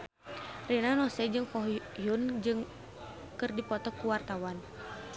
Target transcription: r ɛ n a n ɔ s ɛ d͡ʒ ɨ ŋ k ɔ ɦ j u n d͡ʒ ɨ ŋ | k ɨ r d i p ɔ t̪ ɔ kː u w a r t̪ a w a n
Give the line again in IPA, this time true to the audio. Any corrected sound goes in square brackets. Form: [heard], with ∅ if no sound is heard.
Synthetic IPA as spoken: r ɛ n a n ɔ s ɛ d͡ʒ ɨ ŋ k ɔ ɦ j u n d͡ʒ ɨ ŋ | k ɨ r d i p ɔ t̪ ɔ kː u w a r t̪ a w a n